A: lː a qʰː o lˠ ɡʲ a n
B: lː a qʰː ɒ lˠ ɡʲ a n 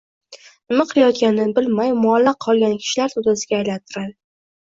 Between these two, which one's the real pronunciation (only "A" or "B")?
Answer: B